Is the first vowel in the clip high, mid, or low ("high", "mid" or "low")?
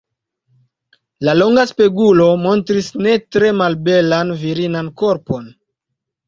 low